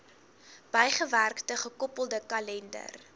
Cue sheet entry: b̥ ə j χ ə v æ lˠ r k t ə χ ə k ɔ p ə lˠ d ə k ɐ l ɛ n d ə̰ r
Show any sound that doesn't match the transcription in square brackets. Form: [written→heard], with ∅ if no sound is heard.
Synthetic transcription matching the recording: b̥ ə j χ ə v æ [lˠ→∅] r k t ə χ ə k ɔ p ə lˠ d ə k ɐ l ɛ n d ə̰ r